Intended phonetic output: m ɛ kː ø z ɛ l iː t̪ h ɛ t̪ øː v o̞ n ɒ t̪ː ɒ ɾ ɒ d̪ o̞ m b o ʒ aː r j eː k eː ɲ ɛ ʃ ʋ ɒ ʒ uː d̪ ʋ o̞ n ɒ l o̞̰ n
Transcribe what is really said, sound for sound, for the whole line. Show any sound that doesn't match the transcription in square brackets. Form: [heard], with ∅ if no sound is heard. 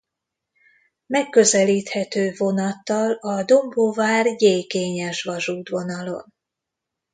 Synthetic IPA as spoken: m ɛ kː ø z ɛ l iː t̪ h ɛ t̪ øː v o̞ n ɒ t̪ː ɒ [l] ɒ d̪ o̞ m b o [v] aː r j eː k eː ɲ ɛ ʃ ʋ ɒ ʒ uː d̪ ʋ o̞ n ɒ l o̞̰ n